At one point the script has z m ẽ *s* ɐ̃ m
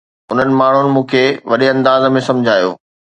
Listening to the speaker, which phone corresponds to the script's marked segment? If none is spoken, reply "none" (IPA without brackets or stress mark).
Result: s